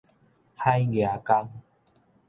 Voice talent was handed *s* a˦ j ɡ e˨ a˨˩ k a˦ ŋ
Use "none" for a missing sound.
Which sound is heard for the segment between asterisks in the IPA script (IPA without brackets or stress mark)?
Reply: h